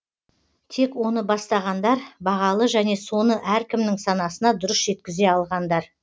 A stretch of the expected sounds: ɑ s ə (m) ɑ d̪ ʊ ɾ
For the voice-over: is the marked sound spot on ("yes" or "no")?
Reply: no